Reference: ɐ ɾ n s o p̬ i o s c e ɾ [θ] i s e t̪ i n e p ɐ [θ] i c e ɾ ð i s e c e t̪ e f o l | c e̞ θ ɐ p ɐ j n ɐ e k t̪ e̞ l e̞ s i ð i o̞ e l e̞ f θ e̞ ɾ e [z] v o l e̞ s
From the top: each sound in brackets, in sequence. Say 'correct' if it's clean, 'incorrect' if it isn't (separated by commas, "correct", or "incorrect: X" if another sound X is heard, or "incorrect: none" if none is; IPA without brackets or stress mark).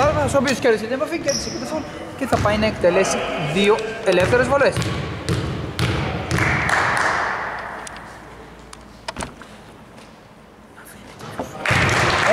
incorrect: ð, incorrect: f, correct